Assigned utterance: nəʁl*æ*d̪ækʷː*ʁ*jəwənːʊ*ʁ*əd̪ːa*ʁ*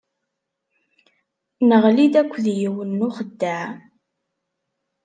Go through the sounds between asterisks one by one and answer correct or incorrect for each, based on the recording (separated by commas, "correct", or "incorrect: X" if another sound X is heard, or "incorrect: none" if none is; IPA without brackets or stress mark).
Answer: incorrect: i, incorrect: ð, incorrect: χ, incorrect: ʕ